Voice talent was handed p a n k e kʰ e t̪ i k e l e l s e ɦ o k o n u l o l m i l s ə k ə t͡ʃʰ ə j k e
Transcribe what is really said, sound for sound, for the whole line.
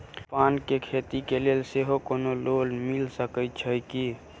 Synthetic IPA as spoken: p a n k e kʰ e t̪ i k e l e l s e ɦ o k o n o l o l m i l s ə k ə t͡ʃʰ ə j k i